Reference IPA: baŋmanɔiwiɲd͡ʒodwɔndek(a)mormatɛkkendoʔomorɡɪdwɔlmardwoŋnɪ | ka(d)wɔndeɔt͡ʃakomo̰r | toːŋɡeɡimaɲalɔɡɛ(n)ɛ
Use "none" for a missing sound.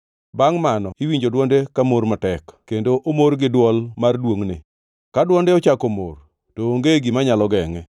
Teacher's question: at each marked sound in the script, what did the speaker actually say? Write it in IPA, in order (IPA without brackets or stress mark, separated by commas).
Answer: a, d, ŋ